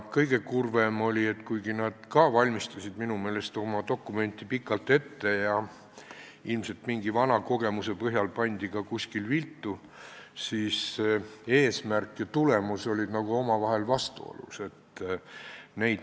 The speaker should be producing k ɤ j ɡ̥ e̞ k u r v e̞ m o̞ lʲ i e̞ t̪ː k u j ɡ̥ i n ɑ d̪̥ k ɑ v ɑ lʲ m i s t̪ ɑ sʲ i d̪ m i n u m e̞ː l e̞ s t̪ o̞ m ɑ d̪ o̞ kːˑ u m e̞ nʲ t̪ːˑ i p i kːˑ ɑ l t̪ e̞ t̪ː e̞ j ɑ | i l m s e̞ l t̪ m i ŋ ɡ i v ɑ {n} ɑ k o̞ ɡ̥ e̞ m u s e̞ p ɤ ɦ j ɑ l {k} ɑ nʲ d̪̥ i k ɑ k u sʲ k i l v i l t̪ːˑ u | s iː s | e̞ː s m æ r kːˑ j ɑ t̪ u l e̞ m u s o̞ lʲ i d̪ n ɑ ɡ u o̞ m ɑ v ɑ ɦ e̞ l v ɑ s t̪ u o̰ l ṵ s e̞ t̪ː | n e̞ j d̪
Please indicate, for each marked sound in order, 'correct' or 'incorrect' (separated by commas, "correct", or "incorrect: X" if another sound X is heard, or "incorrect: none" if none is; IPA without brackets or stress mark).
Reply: correct, incorrect: p